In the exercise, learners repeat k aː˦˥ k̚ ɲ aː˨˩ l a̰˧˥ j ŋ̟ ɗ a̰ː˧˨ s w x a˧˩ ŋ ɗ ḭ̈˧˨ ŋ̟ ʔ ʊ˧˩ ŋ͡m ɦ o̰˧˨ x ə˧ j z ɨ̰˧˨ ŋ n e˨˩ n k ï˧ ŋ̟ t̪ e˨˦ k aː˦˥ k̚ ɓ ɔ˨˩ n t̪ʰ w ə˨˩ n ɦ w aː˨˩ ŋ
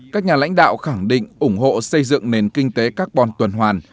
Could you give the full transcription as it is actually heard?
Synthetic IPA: k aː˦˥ k̚ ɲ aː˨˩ l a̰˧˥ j ŋ̟ ɗ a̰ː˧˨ w x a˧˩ ŋ ɗ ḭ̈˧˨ ŋ̟ ʔ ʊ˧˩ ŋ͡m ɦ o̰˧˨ s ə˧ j z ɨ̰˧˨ ŋ n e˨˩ n k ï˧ ŋ̟ t̪ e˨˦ k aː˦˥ k̚ ɓ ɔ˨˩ n t̪ w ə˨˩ n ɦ w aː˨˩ n